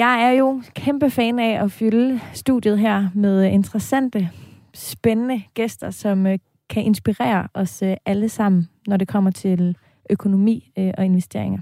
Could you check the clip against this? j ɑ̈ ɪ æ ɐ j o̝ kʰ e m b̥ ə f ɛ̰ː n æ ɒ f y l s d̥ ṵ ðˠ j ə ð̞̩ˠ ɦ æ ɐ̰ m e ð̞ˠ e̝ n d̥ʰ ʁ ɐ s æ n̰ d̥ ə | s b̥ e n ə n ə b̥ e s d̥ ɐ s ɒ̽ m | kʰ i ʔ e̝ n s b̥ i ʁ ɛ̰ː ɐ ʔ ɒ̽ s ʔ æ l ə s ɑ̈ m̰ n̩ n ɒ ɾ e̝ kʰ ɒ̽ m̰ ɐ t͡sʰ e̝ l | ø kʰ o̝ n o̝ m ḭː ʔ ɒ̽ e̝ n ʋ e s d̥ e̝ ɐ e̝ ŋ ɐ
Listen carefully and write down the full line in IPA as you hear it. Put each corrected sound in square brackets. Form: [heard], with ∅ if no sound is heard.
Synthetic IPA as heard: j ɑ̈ ɪ æ ɐ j o̝ kʰ e m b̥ ə f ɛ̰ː n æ ɒ f y l s d̥ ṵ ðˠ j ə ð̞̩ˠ ɦ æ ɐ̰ m e ð̞ˠ e̝ n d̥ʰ ʁ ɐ s æ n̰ d̥ ə | s b̥ e n ə n ə [ɡ̥] e s d̥ ɐ s ɒ̽ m | kʰ [æ] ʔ e̝ n s b̥ i ʁ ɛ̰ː ɐ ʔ ɒ̽ s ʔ æ l ə s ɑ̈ m̰ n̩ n ɒ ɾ e̝ kʰ ɒ̽ m̰ ɐ t͡sʰ e̝ l | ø kʰ o̝ n o̝ m ḭː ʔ ɒ̽ e̝ n ʋ e s d̥ e̝ ɐ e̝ ŋ ɐ